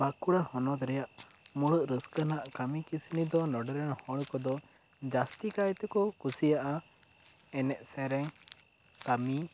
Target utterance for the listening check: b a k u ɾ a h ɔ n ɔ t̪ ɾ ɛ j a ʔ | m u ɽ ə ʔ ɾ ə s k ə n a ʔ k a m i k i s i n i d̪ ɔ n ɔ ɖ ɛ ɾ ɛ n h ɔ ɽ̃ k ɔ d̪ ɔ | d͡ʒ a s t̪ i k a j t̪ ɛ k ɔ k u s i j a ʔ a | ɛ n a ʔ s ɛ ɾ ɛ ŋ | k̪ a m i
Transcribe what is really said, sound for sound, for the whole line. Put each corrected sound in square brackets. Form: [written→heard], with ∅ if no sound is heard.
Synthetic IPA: b a k u [ɾ→ɽ] a h ɔ n ɔ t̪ ɾ ɛ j a ʔ | m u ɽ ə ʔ ɾ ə s k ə n a ʔ k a m i k i s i n i d̪ ɔ n ɔ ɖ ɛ ɾ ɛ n h ɔ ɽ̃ k ɔ d̪ ɔ | d͡ʒ a s t̪ i k a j t̪ ɛ k ɔ k u s i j a ʔ a | ɛ n [a→ɛ] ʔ s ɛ ɾ ɛ ŋ | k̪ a m i